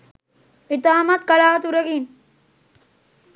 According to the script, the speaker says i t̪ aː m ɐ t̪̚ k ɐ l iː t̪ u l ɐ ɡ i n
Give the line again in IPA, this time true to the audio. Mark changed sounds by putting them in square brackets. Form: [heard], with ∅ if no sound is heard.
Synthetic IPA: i t̪ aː m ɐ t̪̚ k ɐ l [aː] t̪ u [ɾ] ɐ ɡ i n